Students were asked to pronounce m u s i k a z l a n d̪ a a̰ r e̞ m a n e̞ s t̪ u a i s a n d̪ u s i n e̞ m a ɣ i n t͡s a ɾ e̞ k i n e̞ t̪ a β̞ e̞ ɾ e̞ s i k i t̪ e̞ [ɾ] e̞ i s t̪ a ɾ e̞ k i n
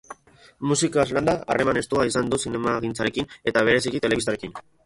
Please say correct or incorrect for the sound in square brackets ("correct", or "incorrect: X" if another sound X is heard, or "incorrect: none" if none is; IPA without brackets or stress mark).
incorrect: l